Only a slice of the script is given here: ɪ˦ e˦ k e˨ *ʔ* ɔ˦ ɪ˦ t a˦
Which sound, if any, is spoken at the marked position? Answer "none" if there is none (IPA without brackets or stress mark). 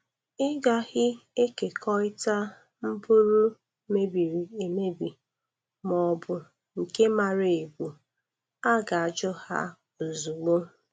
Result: k